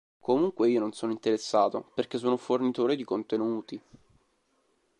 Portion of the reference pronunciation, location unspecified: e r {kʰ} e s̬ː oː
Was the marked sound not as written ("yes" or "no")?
yes